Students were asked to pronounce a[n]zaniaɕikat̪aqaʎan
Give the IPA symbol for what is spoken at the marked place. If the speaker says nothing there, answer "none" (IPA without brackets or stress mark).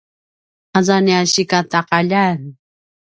none